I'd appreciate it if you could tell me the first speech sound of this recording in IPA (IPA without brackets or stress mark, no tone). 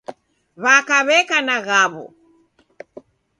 β